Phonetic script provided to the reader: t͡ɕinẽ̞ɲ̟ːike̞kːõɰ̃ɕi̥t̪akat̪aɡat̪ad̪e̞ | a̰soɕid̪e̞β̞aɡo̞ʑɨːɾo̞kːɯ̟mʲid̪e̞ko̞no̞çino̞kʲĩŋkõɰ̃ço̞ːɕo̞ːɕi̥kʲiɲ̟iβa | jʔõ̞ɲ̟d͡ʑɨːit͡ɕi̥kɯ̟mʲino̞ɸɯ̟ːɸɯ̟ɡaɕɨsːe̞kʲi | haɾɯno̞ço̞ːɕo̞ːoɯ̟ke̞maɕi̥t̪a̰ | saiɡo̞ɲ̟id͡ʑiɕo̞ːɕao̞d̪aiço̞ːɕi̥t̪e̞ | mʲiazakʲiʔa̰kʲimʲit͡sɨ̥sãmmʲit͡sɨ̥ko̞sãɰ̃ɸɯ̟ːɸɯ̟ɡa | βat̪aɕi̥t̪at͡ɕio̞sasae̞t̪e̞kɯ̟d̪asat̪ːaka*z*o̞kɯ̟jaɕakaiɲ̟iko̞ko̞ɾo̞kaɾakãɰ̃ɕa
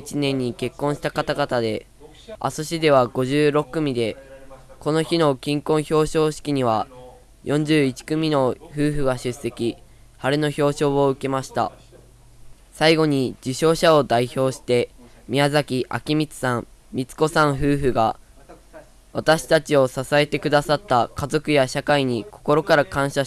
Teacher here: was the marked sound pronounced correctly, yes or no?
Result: yes